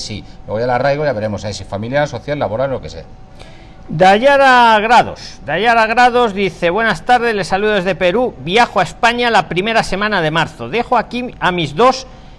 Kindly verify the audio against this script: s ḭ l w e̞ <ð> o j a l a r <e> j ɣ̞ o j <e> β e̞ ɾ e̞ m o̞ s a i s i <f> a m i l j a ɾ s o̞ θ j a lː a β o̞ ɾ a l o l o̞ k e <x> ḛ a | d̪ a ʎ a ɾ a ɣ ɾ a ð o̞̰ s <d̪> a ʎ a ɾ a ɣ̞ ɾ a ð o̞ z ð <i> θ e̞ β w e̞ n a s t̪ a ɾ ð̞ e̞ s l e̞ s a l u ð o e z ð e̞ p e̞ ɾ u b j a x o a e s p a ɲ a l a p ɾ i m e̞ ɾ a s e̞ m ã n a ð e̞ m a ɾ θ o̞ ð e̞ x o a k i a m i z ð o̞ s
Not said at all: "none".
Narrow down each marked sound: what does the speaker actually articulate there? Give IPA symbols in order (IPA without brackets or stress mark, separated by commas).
ɣ, a, a, f, s, d̪, i